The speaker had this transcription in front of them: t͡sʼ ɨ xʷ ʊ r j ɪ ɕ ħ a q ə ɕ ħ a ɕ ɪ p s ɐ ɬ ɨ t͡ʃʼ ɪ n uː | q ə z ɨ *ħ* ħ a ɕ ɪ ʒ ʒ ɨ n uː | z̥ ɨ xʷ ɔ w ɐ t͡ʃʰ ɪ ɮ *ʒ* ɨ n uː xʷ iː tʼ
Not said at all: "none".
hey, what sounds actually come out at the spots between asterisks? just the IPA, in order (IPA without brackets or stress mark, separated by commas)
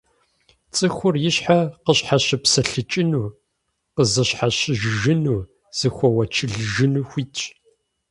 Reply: ɕ, ʒ